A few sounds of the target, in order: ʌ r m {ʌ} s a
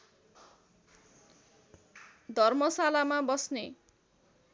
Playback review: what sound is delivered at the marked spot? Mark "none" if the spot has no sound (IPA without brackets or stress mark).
ʌ